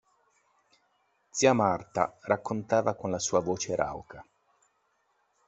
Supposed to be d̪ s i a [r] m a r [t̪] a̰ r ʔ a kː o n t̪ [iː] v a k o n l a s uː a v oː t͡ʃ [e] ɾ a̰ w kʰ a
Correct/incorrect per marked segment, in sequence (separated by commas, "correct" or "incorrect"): incorrect, correct, incorrect, correct